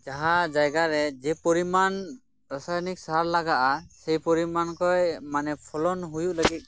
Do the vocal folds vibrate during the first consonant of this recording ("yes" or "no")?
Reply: yes